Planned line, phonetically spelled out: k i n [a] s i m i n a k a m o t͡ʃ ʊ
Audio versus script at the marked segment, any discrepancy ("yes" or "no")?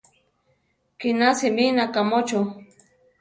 no